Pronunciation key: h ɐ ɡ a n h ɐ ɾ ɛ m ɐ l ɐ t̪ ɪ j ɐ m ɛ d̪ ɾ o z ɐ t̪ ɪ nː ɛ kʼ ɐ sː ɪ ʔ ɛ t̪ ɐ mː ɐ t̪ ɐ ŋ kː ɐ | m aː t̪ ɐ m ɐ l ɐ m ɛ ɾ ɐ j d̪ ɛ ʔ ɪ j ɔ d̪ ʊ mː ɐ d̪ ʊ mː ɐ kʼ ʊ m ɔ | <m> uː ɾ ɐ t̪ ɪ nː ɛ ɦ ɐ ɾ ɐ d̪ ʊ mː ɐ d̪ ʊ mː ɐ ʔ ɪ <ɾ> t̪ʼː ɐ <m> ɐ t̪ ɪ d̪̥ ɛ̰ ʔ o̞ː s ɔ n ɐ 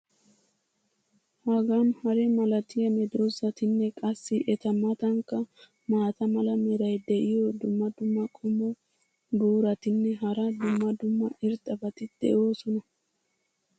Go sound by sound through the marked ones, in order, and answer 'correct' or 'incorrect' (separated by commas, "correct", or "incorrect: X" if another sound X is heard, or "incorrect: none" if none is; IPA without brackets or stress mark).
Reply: incorrect: b, correct, incorrect: b